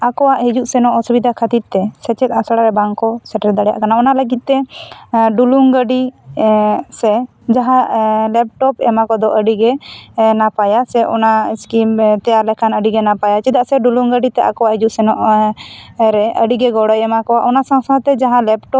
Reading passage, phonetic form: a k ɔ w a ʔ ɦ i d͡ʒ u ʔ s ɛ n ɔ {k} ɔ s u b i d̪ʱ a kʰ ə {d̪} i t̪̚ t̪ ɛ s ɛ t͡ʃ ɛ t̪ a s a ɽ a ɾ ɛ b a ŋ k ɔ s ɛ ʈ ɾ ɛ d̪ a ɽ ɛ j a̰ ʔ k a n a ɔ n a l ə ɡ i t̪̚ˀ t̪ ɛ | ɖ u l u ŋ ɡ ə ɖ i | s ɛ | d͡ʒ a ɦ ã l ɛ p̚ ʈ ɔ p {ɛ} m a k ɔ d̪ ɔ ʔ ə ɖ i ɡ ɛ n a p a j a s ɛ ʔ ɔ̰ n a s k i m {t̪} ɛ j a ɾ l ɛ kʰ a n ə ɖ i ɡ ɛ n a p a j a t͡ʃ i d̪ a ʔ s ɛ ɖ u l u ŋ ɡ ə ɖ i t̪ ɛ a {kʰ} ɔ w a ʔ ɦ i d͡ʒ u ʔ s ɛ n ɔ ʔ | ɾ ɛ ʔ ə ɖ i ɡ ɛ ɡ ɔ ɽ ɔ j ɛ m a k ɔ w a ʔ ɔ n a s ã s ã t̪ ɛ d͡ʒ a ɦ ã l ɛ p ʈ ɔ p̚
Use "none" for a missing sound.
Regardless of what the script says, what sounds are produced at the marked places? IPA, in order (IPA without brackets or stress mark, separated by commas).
ʔ, t̪, ɛ, t̪, k